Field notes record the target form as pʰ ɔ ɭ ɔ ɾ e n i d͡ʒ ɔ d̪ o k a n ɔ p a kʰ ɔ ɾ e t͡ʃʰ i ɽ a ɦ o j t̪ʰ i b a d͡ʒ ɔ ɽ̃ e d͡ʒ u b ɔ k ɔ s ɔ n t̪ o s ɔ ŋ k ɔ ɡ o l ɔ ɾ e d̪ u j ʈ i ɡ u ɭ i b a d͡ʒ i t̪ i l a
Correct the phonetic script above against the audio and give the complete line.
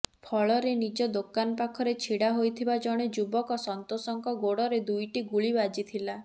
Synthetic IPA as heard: pʰ ɔ ɭ ɔ ɾ e n i d͡ʒ ɔ d̪ o k a n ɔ p a kʰ ɔ ɾ e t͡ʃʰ i ɽ a ɦ o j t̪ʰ i b a d͡ʒ ɔ ɽ̃ e d͡ʒ u b ɔ k ɔ s ɔ n t̪ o s ɔ ŋ k ɔ ɡ o ɽ ɔ ɾ e d̪ u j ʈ i ɡ u ɭ i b a d͡ʒ i t̪ʰ i l a